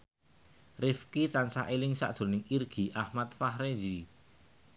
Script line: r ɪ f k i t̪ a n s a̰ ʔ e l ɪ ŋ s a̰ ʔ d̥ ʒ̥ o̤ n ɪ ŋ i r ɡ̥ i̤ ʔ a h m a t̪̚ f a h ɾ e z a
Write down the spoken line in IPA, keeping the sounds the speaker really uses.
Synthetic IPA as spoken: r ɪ f k i t̪ a n s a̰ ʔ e l ɪ ŋ s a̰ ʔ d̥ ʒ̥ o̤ n ɪ ŋ i r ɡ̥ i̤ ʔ a h m a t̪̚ f a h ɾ e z i